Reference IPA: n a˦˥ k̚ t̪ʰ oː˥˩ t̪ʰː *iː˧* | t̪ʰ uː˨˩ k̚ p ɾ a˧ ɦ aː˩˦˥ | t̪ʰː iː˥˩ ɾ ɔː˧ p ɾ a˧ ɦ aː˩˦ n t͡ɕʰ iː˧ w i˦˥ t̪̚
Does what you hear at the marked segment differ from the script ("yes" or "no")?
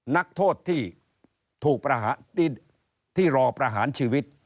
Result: yes